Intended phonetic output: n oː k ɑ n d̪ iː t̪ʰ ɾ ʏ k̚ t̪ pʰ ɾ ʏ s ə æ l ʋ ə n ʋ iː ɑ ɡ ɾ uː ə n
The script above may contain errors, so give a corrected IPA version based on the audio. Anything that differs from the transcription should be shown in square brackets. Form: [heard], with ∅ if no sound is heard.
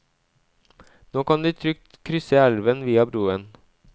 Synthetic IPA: n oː k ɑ n d̪ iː t̪ʰ ɾ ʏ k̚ t̪ [kʰ] ɾ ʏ s ə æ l ʋ ə n ʋ iː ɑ [b] ɾ uː ə n